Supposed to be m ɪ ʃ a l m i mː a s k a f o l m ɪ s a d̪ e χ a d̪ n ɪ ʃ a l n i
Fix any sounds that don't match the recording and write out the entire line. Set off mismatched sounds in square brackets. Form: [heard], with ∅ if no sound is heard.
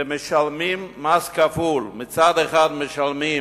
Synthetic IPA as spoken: m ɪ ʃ a l m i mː a s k a f [u] l m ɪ [t͡s] a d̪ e χ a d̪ [m] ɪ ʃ a l [m] i